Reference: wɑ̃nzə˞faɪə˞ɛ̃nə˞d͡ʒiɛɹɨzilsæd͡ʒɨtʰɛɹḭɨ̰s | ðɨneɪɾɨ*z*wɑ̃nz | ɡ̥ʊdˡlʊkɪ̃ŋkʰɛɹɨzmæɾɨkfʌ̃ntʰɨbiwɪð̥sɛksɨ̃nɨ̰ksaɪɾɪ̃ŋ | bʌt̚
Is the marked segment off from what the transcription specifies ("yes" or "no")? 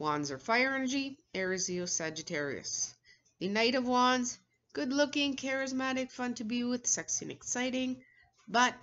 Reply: yes